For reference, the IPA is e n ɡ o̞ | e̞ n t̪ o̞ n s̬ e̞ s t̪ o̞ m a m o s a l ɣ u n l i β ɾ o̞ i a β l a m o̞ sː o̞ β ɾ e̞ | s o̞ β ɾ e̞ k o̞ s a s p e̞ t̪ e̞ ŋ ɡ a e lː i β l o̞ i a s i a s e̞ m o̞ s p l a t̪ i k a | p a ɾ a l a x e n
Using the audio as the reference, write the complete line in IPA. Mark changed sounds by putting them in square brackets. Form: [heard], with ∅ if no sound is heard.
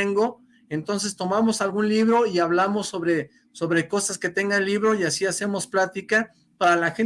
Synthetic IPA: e [ŋ] ɡ o̞ | e̞ n t̪ o̞ n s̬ e̞ s t̪ o̞ m a m o s a l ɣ u n l i β ɾ o̞ i a β l a m o̞ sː o̞ β ɾ e̞ | s o̞ β ɾ e̞ k o̞ s a s [k] e̞ t̪ e̞ ŋ ɡ a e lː i β [ɾ] o̞ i a s i a s e̞ m o̞ s p l a t̪ i k a | p a ɾ a l a x e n